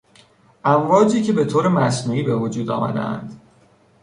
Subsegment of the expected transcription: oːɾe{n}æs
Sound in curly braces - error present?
yes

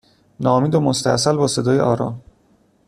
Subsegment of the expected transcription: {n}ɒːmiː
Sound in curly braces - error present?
no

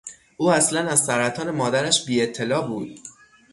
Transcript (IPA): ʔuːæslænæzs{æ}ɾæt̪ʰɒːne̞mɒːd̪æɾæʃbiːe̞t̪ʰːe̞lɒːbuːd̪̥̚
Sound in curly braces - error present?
no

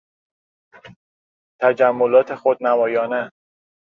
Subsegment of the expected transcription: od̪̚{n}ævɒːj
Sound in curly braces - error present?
no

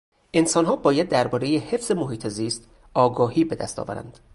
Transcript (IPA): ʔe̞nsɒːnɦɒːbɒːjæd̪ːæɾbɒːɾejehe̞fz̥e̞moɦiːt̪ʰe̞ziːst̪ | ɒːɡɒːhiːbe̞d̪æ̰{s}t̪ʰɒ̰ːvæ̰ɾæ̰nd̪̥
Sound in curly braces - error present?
no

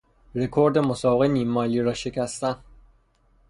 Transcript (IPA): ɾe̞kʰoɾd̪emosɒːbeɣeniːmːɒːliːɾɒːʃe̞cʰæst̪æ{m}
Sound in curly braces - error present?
yes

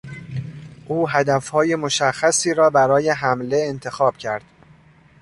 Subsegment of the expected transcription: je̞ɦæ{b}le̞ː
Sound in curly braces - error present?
yes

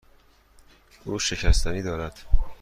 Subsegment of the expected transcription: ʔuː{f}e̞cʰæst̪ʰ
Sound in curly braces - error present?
yes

